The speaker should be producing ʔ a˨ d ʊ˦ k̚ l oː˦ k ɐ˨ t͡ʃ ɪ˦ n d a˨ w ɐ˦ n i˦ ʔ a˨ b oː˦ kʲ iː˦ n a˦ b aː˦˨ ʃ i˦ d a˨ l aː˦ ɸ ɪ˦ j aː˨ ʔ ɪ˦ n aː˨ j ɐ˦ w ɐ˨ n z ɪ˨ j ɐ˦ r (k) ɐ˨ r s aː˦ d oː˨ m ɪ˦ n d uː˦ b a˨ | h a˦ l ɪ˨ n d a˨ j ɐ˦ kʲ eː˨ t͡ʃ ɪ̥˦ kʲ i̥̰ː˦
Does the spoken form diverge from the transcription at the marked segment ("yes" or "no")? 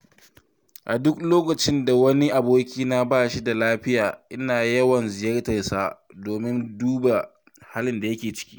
yes